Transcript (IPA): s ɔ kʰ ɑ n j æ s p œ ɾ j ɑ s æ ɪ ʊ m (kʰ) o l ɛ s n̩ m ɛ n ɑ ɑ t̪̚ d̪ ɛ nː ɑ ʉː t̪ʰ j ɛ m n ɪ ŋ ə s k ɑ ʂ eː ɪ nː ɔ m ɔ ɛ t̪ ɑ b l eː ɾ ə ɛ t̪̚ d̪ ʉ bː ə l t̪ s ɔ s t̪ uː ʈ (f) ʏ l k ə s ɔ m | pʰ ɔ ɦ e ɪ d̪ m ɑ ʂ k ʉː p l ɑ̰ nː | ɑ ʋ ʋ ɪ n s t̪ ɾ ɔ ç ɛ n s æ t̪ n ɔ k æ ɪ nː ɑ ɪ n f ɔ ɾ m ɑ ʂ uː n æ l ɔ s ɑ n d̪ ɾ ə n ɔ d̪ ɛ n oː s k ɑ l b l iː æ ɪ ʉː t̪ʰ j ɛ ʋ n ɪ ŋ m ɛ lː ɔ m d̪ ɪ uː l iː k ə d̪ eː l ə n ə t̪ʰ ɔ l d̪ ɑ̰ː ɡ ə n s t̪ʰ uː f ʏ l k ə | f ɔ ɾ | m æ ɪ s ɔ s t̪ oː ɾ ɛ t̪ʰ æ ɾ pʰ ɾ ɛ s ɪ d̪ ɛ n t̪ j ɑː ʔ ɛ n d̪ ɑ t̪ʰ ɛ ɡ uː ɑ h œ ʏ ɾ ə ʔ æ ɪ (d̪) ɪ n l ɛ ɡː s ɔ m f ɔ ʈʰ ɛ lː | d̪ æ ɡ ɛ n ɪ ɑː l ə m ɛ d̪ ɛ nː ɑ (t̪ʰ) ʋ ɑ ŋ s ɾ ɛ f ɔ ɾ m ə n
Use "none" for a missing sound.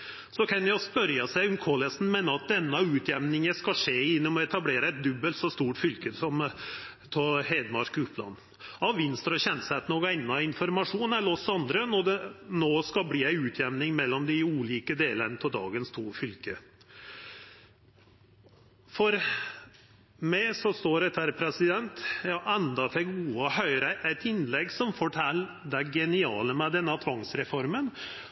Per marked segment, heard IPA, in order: kʰ, f, t̪, t̪ʰ

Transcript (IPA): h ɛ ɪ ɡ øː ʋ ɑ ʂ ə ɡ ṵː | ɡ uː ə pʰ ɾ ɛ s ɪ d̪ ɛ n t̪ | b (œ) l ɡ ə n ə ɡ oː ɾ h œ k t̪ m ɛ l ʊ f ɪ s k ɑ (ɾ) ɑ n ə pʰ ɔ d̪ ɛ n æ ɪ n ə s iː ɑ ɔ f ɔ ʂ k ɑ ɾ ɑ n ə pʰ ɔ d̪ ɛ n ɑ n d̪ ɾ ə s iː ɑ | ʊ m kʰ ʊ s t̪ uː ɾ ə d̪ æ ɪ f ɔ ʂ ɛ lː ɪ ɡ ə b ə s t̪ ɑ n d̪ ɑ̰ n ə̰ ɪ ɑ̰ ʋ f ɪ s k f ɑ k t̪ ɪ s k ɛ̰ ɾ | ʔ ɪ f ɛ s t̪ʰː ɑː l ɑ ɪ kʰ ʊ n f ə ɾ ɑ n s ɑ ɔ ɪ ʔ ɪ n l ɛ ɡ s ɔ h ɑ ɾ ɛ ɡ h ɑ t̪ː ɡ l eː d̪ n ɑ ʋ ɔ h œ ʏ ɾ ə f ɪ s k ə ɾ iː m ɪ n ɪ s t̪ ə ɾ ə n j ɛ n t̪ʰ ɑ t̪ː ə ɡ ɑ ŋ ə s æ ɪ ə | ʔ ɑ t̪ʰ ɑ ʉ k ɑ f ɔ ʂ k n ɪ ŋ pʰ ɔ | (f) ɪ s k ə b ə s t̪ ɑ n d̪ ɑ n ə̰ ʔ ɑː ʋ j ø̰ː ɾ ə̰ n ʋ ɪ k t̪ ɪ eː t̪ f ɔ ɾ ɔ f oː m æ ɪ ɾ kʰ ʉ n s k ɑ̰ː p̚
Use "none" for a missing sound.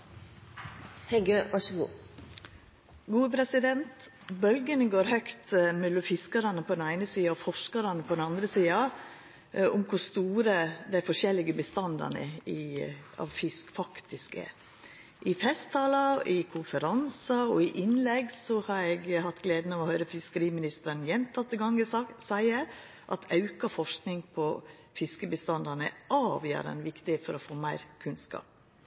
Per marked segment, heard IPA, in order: œ, ɾ, f

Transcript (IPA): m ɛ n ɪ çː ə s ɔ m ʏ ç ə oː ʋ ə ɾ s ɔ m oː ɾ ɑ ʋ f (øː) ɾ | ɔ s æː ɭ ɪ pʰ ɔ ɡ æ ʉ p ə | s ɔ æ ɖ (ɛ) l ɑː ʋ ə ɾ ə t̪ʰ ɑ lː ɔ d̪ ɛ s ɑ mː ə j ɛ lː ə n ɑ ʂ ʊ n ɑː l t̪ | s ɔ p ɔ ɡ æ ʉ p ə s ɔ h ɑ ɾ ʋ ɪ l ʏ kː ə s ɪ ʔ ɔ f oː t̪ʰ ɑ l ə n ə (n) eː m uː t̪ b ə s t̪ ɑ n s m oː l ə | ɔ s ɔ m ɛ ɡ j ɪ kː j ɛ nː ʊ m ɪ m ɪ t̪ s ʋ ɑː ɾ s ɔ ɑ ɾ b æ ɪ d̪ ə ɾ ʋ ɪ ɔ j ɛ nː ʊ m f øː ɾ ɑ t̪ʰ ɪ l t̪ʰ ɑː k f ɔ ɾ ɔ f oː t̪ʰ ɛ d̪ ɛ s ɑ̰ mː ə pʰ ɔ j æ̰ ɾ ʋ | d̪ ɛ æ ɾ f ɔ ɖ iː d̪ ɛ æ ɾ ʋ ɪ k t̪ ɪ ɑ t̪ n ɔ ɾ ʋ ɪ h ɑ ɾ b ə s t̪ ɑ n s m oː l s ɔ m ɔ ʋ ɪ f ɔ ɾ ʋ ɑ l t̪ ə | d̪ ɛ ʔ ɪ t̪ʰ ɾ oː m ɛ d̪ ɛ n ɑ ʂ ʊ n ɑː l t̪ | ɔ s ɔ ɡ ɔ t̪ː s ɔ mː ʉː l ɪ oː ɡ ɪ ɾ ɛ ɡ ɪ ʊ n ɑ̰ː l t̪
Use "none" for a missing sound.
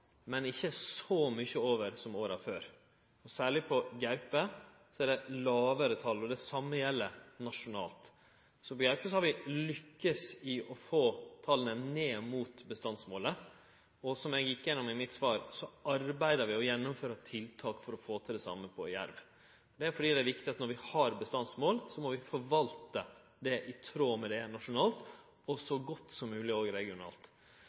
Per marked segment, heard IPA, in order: øː, ɛ, n

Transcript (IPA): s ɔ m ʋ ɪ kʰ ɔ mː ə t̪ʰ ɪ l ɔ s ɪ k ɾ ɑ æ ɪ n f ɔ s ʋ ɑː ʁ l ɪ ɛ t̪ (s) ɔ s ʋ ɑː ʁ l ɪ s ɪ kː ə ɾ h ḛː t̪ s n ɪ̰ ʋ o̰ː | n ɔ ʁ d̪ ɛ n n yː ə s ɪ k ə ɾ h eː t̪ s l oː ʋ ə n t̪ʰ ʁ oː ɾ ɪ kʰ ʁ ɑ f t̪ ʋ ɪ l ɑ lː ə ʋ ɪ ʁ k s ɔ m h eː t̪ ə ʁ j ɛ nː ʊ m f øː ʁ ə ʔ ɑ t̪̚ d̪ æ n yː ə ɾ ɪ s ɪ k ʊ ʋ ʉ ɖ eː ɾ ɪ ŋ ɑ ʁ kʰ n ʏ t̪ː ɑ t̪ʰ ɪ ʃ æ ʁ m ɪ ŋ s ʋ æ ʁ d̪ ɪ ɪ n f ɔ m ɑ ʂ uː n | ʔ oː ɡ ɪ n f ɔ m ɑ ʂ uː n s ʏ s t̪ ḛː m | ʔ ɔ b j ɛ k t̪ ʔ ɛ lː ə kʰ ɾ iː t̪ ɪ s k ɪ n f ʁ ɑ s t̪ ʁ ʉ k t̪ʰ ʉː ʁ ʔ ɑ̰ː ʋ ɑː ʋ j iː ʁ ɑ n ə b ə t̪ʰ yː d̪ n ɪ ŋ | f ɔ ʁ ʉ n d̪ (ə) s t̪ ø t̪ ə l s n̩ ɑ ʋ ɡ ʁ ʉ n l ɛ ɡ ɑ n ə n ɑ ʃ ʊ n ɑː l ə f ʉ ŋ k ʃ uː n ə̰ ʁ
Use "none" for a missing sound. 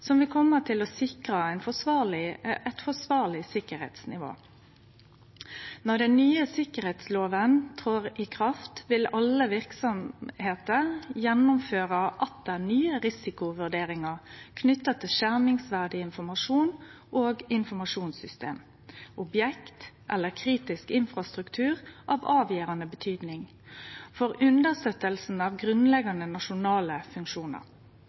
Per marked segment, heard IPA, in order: f, ə

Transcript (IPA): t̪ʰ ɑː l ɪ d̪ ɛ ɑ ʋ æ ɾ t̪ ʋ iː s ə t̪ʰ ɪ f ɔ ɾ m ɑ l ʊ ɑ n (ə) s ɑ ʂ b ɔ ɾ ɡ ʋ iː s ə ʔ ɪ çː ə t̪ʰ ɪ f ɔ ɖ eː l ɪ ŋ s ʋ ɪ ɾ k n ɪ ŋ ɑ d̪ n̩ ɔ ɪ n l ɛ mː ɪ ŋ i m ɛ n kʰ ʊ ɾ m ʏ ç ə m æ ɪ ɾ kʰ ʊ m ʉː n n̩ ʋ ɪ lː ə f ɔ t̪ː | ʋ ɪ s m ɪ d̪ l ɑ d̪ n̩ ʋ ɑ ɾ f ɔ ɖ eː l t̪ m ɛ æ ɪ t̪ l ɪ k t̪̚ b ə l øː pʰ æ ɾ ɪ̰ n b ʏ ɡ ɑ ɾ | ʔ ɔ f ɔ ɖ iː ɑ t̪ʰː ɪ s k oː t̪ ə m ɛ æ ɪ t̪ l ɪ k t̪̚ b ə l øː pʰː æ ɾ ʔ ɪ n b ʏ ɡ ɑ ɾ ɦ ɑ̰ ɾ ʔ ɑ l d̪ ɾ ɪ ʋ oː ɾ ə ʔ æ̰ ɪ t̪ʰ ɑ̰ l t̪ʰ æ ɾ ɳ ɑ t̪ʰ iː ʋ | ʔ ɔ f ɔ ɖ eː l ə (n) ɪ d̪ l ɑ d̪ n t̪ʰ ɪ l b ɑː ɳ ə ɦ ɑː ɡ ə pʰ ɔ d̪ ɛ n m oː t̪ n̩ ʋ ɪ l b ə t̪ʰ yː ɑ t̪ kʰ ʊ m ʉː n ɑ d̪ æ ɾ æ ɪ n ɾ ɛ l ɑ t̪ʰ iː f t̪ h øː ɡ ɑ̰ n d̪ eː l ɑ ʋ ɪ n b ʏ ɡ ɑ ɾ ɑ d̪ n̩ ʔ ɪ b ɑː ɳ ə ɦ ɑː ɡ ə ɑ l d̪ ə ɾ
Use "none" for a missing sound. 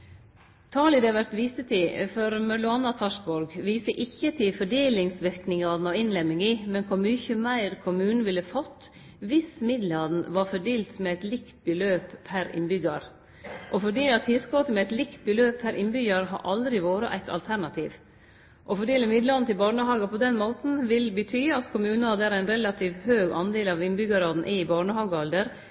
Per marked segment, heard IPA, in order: ɑ, m

